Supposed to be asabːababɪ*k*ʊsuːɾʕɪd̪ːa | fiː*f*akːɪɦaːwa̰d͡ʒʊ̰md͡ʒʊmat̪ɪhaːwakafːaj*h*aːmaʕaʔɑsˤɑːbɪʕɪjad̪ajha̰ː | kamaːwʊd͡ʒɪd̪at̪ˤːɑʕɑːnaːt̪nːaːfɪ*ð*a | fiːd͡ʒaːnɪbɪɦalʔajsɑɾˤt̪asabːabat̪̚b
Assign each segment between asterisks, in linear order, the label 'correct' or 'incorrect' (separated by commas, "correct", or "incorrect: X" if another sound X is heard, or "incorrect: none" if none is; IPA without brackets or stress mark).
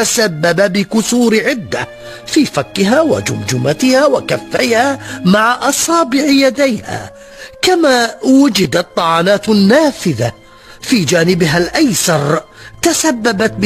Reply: correct, correct, correct, correct